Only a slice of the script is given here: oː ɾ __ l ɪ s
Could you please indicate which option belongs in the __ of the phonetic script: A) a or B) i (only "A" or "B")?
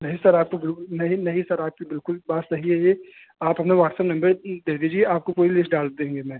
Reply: B